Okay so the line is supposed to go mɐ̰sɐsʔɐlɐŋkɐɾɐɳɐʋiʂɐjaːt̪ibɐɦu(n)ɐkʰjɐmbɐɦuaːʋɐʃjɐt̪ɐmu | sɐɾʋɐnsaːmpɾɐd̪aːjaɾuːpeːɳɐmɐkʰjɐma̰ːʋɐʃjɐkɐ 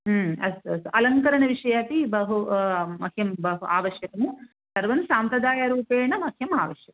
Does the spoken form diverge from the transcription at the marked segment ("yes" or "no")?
yes